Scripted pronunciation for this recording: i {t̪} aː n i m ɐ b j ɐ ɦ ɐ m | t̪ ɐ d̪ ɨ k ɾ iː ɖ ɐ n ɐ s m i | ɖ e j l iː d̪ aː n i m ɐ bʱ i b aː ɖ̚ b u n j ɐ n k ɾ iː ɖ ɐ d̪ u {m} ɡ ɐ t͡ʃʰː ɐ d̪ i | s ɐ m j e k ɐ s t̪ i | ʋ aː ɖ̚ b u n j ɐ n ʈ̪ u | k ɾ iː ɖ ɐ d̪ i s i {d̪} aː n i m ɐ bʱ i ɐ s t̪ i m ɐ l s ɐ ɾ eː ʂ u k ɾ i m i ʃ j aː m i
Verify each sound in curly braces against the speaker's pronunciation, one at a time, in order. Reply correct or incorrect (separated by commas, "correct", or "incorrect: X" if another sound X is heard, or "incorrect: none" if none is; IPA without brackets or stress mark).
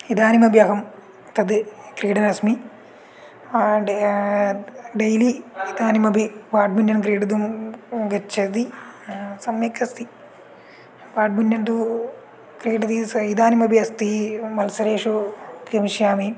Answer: incorrect: d̪, correct, correct